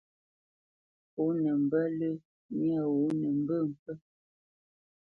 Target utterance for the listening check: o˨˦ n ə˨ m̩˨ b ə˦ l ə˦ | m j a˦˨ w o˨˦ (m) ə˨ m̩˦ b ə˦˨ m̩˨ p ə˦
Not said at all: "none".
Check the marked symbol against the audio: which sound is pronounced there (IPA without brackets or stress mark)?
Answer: n